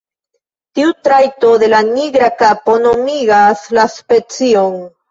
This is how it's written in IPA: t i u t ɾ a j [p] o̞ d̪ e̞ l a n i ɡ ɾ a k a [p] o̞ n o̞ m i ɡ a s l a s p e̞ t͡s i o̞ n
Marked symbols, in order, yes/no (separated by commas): no, yes